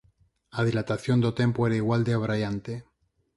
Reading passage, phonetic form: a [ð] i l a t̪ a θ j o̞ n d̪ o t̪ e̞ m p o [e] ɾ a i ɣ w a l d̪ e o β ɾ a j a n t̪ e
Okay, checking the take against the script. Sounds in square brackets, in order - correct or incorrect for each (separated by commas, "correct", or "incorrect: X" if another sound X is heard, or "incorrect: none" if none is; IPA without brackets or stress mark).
correct, correct